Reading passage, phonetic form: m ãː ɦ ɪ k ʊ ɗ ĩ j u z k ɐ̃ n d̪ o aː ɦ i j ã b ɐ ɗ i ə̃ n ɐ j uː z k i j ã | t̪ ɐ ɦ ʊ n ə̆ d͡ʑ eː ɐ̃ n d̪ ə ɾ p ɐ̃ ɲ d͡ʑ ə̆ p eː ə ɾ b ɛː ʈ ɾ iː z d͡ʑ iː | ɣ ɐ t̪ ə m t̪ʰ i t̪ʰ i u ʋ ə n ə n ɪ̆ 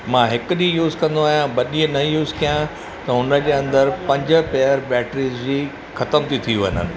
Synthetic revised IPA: m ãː ɦ ɪ k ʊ ɗ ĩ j uː z k ɐ̃ n d̪ o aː ɦ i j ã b ɐ ɗ i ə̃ n ɐ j uː z k i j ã | t̪ ɐ ɦ ʊ n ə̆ d͡ʑ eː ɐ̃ n d̪ ə ɾ p ɐ̃ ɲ d͡ʑ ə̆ p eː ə ɾ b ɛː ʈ ɾ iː z d͡ʑ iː | x ɐ t̪ ə m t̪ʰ i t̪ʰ i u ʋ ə n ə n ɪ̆